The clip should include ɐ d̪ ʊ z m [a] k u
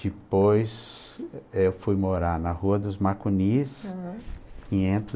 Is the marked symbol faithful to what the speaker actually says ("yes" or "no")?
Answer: yes